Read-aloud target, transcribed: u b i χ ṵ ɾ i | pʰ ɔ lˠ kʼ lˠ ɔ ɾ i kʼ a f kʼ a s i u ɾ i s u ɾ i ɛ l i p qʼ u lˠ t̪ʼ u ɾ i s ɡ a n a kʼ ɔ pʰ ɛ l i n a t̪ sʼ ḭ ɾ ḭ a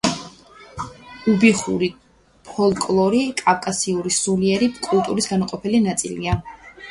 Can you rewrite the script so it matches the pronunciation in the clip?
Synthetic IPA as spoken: u b i χ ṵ ɾ i | pʰ ɔ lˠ kʼ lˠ ɔ ɾ i kʼ a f kʼ a s i u ɾ i s u l i ɛ ɾ i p kʼ u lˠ t̪ʼ u ɾ i s ɡ a n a qʼ ɔ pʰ ɛ l i n a t̪ sʼ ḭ l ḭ a

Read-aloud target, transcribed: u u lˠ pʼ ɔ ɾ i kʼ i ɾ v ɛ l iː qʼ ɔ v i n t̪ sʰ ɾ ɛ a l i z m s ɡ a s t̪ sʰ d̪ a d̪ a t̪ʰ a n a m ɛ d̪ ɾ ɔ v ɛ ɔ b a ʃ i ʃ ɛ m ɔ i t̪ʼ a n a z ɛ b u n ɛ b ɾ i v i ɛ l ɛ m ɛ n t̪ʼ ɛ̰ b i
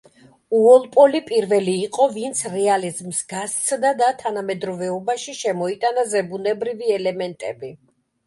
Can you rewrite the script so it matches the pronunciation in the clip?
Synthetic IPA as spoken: u ɔ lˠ pʼ ɔ l i pʼ i ɾ v ɛ l iː qʼ ɔ v i n t̪ sʰ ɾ ɛ a l i z m s ɡ a s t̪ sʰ d̪ a d̪ a t̪ʰ a n a m ɛ d̪ ɾ ɔ v ɛ ɔ b a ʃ i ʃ ɛ m ɔ i t̪ʼ a n a z ɛ b u n ɛ b ɾ i v i ɛ l ɛ m ɛ n t̪ʼ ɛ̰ b i

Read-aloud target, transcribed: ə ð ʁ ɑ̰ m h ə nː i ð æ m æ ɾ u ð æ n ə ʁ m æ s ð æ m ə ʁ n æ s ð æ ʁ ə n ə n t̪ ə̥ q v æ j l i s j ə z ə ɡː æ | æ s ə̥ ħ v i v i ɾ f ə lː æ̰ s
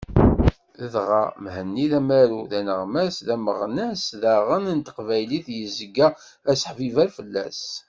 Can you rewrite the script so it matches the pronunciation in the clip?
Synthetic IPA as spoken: ə ð ʁ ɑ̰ m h ə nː i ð æ m æ ɾ u ð æ n ə ʁ m æ s ð æ m ə ʁ n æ s ð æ ʁ ə n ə n t̪ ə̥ q v æ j l i θ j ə z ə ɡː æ | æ s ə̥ ħ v i v æ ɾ f ə lː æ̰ s

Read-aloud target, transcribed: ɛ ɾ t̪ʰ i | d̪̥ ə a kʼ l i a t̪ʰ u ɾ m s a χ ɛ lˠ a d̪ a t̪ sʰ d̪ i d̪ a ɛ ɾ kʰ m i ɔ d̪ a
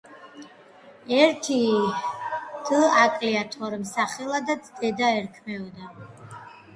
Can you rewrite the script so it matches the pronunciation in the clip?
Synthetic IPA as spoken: ɛ ɾ t̪ʰ i | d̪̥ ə a kʼ l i a t̪ʰ ɔ ɾ m s a χ ɛ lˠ a d̪ a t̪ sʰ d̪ ɛ d̪ a ɛ ɾ kʰ m ɛ ɔ d̪ a

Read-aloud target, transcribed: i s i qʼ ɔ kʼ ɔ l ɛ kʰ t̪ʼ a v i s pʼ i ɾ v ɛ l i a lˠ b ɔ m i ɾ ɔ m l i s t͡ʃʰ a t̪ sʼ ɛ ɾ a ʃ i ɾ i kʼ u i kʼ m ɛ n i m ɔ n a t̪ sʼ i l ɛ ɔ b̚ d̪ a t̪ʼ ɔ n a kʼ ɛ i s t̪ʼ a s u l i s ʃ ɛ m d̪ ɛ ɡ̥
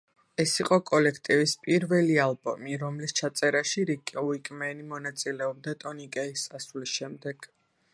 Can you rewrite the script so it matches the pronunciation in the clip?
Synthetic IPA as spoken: ɛ s i qʼ ɔ kʼ ɔ l ɛ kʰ t̪ʼ i v i s pʼ i ɾ v ɛ l i a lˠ b ɔ m i ɾ ɔ m l i s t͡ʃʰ a t̪ sʼ ɛ ɾ a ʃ i ɾ i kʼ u i kʼ m ɛ n i m ɔ n a t̪ sʼ i l ɛ ɔ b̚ d̪ a t̪ʼ ɔ n i kʼ ɛ i s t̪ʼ a s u l i s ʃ ɛ m d̪ ɛ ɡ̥

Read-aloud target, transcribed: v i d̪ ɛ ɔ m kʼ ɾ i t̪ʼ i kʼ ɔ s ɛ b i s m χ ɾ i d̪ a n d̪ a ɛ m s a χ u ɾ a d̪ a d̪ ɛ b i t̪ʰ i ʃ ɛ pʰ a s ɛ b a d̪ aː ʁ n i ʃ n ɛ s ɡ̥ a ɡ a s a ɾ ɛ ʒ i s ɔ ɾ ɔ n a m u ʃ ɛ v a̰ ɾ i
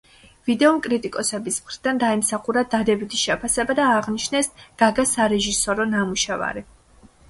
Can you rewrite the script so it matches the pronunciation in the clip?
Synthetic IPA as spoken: v i d̪ ɛ ɔ m kʼ ɾ i t̪ʼ i kʼ ɔ s ɛ b i s m χ ɾ i d̪ a n d̪ a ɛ m s a χ u ɾ a d̪ a d̪ ɛ b i t̪ʰ i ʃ ɛ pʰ a s ɛ b a d̪ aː ʁ n i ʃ n ɛ s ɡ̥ a ɡ a s a ɾ ɛ ʒ i s ɔ ɾ ɔ n a m u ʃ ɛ v a̰ ɾ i

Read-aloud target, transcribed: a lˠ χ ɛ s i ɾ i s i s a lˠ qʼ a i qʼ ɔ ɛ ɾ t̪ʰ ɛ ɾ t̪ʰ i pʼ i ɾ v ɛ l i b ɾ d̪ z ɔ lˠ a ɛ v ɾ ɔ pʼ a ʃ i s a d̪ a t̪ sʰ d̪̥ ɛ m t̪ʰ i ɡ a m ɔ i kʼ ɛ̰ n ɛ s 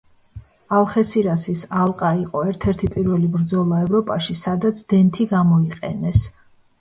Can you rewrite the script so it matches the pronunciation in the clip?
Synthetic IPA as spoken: a lˠ χ ɛ s i ɾ a s i s a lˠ qʼ a i qʼ ɔ ɛ ɾ t̪ʰ ɛ ɾ t̪ʰ i pʼ i ɾ v ɛ l i b ɾ d̪ z ɔ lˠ a ɛ v ɾ ɔ pʼ a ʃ i s a d̪ a t̪ sʰ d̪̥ ɛ n t̪ʰ i ɡ a m ɔ i qʼ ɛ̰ n ɛ s

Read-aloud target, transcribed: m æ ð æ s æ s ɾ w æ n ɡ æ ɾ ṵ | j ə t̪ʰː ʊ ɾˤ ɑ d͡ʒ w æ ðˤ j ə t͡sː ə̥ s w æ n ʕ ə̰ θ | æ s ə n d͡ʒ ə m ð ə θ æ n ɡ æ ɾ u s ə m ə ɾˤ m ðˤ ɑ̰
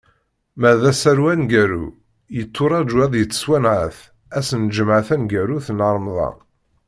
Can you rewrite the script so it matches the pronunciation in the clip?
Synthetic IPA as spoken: m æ ð æ s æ ɾ w æ n ɡ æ ɾ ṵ | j ə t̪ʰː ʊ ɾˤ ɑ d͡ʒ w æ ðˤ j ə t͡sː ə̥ s w æ n ʕ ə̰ θ | æ s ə n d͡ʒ ə m ʕ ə θ æ n ɡ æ ɾ u θ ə n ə ɾˤ m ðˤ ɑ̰

